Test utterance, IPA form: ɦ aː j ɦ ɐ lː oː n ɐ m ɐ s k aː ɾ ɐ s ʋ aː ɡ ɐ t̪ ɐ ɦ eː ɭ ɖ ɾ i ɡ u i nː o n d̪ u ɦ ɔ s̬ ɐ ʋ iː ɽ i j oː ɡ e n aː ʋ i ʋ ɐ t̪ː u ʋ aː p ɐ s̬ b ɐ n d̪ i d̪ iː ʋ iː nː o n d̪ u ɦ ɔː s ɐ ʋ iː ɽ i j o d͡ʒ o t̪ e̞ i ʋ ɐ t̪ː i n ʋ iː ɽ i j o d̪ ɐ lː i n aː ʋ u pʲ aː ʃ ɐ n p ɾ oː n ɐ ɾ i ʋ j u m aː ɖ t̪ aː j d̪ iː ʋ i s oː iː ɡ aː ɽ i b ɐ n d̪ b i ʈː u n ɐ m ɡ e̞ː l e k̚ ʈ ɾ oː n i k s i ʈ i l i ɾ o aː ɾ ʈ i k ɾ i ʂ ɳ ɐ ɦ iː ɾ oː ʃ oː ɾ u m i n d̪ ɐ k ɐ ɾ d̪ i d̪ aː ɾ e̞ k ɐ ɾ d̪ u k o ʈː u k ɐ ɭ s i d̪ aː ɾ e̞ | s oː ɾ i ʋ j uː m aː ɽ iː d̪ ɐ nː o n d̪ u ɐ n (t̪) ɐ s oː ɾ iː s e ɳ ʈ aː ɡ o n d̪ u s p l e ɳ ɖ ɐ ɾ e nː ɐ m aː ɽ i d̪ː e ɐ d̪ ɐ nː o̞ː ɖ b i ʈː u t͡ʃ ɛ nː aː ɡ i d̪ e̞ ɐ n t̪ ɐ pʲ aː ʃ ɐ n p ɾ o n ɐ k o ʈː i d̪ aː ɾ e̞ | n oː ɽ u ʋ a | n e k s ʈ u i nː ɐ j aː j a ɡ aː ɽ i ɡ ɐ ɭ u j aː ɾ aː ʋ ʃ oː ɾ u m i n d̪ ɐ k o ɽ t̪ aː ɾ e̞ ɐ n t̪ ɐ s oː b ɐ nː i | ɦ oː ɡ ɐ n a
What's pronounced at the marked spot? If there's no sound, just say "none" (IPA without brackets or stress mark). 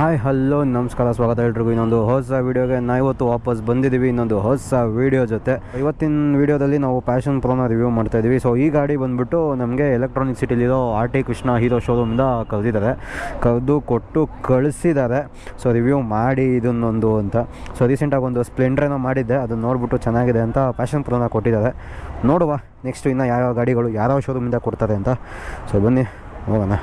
t̪